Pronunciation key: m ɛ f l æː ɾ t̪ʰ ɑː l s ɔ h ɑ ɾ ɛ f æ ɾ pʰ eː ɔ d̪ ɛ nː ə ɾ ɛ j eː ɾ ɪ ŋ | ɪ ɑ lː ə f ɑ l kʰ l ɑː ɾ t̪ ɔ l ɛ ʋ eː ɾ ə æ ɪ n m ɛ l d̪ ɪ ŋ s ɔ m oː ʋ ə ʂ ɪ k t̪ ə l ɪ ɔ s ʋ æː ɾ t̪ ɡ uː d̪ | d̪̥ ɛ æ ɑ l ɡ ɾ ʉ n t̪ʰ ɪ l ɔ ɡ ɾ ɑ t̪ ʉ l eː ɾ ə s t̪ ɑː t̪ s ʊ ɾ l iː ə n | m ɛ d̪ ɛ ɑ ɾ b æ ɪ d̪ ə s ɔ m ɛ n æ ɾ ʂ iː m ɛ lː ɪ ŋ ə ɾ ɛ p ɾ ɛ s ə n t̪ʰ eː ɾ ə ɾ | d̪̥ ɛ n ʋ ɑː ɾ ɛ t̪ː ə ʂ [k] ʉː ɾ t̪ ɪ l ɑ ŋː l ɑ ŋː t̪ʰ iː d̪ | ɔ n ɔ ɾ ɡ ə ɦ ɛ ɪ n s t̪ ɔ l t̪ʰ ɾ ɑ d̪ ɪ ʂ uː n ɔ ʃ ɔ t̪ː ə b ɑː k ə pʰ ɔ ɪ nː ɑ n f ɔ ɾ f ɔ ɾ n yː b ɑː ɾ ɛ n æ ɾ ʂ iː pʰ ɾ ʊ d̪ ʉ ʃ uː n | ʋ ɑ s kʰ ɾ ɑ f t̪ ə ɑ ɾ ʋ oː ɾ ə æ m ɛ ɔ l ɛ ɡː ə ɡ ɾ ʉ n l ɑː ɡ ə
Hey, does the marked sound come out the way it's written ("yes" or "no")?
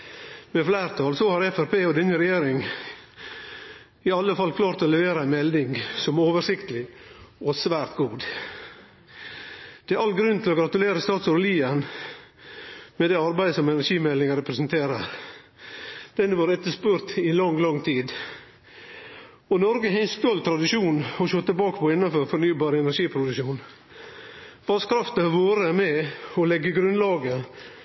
no